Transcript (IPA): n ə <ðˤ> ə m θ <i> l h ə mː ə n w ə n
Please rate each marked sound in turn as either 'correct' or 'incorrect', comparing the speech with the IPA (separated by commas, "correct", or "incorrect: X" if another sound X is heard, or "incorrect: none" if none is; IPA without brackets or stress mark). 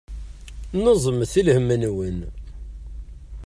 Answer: incorrect: zˤ, correct